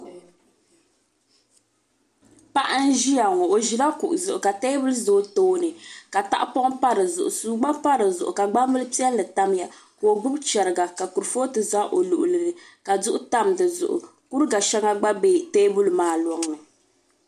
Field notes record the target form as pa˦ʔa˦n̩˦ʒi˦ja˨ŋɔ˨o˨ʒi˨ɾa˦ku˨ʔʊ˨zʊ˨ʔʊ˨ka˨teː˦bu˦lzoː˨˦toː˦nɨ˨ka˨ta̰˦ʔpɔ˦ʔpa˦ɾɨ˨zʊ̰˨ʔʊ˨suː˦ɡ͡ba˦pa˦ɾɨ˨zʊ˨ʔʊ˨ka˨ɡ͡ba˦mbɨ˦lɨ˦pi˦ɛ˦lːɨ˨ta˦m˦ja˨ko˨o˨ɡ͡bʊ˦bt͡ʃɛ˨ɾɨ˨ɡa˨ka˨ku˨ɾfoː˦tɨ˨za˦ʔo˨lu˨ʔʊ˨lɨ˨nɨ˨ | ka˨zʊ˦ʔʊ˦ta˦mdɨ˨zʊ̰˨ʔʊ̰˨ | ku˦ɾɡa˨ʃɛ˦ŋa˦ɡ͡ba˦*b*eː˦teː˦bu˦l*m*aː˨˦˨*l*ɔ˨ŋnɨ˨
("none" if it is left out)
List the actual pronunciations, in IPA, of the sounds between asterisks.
b, m, l

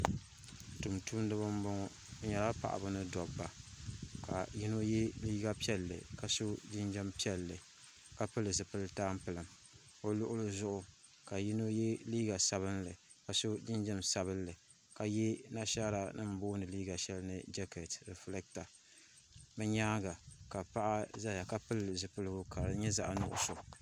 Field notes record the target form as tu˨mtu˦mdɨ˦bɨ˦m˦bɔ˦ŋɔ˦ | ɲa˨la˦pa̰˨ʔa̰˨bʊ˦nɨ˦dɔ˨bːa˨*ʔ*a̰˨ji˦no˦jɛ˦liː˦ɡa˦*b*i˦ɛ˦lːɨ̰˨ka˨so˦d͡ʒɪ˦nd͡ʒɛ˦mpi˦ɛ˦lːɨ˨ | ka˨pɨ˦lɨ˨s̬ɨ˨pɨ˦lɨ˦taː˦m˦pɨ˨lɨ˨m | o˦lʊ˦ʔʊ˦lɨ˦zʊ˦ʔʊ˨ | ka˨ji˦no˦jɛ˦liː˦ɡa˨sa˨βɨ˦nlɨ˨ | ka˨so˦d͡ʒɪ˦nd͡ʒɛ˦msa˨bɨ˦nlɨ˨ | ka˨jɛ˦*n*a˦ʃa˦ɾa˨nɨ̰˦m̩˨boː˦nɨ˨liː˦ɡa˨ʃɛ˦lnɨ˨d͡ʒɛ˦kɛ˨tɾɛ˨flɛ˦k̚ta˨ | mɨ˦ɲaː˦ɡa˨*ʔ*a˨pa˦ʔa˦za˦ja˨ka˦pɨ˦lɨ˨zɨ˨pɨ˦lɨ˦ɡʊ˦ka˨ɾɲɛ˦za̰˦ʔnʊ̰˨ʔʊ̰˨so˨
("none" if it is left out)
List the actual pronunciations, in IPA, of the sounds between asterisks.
k, p, n, k

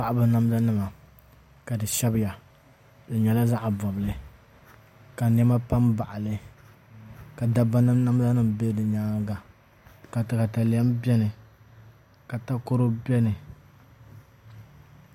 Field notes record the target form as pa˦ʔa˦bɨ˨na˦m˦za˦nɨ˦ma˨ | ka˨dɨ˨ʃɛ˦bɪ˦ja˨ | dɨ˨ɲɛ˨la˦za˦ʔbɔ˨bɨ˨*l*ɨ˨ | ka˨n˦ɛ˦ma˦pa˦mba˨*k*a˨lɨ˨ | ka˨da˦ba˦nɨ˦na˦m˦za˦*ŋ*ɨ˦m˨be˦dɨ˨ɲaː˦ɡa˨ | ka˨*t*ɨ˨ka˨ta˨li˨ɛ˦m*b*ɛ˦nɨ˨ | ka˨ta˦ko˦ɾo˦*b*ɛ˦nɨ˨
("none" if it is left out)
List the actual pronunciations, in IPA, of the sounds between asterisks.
l, ʔ, n, t, b, b

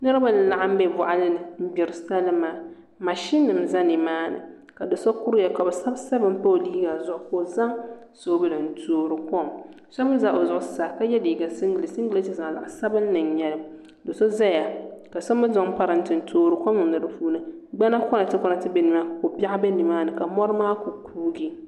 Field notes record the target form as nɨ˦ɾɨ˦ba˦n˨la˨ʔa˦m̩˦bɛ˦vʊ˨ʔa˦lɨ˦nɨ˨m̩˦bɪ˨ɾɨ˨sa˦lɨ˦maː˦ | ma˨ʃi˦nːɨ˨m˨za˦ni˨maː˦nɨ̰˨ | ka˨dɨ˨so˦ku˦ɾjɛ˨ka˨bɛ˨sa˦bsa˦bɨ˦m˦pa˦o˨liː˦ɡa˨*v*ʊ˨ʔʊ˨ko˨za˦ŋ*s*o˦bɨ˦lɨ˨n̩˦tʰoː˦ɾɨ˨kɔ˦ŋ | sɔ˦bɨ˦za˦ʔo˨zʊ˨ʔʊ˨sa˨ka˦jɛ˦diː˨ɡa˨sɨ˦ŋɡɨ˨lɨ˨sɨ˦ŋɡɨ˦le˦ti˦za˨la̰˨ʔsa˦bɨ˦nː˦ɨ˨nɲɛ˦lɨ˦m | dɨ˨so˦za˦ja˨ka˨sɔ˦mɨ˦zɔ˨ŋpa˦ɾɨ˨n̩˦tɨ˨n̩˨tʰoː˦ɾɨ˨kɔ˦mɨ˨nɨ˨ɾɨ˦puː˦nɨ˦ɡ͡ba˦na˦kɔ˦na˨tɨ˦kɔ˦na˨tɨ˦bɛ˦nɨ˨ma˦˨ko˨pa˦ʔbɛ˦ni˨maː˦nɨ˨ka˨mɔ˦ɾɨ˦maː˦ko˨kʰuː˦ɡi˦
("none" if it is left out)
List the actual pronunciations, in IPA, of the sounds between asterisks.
z, s

